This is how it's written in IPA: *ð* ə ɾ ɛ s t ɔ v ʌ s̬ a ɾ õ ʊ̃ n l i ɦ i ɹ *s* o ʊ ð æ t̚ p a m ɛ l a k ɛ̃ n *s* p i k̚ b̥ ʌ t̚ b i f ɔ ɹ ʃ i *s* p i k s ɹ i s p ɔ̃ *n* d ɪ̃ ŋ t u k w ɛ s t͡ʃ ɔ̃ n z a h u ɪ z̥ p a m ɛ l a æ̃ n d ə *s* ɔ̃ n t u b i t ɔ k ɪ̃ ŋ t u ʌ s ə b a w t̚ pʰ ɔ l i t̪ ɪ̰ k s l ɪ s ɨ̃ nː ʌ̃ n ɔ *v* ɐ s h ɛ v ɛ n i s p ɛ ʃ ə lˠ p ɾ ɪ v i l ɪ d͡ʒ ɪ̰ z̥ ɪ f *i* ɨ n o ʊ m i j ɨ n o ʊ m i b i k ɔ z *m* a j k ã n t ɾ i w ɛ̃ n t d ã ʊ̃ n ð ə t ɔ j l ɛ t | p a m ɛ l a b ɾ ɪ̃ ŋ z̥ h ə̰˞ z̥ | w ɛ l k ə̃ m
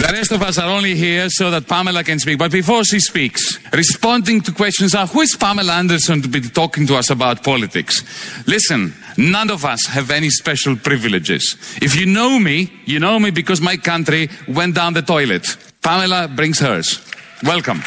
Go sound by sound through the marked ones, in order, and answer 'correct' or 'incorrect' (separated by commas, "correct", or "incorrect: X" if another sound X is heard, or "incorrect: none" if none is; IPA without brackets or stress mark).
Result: correct, correct, correct, correct, correct, correct, correct, incorrect: j, correct